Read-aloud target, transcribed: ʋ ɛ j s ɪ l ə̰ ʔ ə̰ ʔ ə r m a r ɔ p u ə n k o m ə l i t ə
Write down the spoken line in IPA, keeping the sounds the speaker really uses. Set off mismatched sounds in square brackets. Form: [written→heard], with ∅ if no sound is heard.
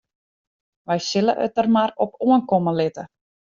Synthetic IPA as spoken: ʋ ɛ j s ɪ l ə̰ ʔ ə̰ [ʔ→t] ə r m a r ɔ p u ə n k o m ə l [i→ɪ] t ə